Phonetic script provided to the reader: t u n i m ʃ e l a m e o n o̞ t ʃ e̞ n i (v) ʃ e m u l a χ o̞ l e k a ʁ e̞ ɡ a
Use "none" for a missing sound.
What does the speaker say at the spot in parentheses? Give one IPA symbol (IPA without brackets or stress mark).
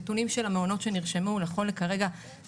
ʁ